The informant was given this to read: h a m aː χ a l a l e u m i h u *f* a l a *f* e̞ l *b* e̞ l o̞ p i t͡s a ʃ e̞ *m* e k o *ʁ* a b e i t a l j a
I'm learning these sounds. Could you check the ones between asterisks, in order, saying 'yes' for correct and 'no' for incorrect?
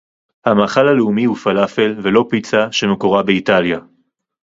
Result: yes, yes, no, yes, yes

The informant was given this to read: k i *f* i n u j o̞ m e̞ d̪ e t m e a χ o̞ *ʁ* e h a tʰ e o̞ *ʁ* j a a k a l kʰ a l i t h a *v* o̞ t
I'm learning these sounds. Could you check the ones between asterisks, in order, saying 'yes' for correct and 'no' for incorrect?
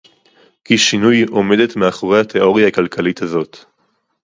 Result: no, yes, yes, no

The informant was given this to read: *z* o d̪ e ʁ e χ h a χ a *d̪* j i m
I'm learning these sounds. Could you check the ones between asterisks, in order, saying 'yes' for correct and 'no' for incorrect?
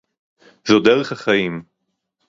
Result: yes, no

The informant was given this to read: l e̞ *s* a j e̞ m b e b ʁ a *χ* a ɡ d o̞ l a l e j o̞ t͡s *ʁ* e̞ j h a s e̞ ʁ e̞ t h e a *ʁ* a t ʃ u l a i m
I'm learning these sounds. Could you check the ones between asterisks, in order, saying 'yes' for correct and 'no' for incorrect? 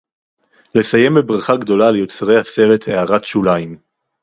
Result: yes, yes, yes, yes

